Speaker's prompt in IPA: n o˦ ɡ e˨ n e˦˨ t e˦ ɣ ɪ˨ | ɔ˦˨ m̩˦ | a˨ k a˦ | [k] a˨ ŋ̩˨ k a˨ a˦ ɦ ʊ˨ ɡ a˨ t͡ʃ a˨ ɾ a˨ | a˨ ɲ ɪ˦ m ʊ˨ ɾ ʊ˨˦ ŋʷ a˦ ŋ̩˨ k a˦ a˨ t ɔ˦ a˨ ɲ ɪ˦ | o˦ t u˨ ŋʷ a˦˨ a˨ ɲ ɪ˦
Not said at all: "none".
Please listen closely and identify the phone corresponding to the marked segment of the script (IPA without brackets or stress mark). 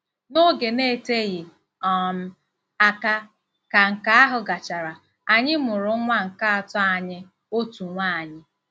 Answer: k